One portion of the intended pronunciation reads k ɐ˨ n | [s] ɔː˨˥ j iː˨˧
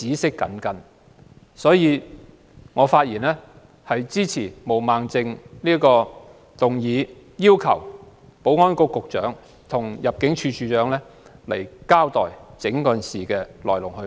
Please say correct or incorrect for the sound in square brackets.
correct